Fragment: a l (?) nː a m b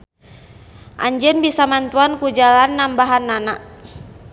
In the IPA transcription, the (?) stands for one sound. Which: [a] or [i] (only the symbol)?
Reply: a